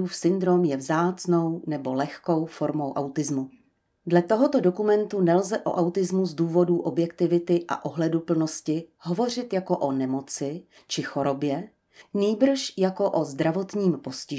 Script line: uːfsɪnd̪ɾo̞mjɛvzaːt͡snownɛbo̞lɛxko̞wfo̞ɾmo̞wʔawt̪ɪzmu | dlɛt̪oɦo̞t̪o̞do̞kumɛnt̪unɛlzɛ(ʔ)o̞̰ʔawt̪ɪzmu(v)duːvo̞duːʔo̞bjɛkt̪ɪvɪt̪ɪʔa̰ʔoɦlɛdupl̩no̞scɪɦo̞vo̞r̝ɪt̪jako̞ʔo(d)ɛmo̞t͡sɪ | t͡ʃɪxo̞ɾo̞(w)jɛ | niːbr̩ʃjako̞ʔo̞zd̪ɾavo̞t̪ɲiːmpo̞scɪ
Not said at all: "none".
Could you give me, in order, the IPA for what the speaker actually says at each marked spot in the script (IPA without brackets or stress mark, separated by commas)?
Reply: ʔ, z, n, b